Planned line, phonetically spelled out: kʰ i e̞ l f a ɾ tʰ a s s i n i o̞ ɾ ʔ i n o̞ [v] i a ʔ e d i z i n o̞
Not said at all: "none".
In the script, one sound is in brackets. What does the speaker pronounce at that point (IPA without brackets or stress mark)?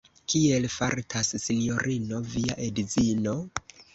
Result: v